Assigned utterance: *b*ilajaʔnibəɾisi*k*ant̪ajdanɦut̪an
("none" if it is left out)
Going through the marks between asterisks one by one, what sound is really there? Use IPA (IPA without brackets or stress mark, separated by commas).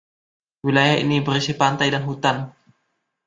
w, p